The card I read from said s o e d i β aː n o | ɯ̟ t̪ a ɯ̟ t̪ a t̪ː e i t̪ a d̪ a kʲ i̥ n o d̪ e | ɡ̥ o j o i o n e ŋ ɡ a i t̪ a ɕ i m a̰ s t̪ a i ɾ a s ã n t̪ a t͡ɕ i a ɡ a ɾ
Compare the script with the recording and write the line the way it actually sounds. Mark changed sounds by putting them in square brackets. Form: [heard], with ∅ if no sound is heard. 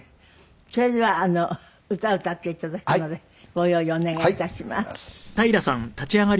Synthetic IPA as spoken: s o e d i β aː n o | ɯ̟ t̪ a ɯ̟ t̪ a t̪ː e i t̪ a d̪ a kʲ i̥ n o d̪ e | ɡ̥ o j o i o n e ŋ ɡ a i t̪ a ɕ i m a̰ s t̪ a i ɾ a s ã n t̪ a t͡ɕ i a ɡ a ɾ